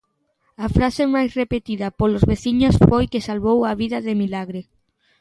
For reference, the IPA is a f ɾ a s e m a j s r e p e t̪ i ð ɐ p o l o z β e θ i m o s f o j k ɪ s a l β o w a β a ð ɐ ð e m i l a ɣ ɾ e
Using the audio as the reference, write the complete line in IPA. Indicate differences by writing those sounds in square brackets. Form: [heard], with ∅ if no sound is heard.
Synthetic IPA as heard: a f ɾ a s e m a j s r e p e t̪ i ð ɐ p o l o z β e θ i [ɲ] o s f o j k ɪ s a l β o w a β [i] ð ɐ ð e m i l a ɣ ɾ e